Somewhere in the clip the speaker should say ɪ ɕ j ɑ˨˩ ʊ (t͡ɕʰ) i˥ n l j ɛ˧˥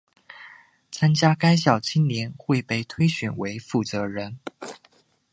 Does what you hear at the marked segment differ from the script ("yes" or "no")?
no